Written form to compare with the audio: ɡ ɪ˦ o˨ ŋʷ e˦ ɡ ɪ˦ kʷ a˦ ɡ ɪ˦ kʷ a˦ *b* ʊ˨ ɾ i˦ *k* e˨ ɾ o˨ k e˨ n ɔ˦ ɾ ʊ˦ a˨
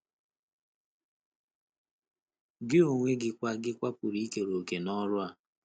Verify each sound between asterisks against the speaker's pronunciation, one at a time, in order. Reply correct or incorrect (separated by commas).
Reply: incorrect, correct